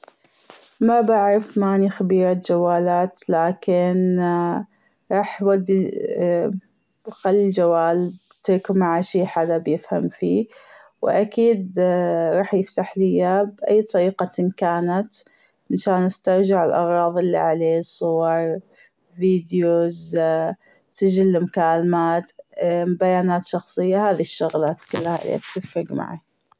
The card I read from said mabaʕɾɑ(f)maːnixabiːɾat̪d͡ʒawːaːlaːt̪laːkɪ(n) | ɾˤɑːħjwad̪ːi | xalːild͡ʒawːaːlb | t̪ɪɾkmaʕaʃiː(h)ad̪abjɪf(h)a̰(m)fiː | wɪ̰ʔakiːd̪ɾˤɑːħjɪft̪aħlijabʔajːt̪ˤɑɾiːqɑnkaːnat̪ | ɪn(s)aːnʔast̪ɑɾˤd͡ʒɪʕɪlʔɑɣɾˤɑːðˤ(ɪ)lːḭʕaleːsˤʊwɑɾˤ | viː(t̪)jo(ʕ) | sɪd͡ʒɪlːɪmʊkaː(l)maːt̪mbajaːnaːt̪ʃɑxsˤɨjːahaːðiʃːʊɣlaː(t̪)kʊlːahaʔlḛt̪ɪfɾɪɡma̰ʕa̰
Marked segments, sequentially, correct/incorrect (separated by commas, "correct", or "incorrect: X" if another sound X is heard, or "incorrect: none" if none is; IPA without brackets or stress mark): correct, correct, incorrect: ħ, correct, correct, incorrect: ʃ, correct, incorrect: d̪, incorrect: z, correct, correct